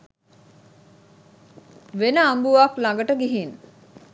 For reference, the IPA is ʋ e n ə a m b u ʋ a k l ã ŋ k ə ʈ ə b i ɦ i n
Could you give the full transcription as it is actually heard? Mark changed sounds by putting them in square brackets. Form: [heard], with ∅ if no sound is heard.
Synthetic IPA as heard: ʋ e n ə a m b u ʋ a k l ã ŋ [ɡ] ə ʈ ə [ɡ] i ɦ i n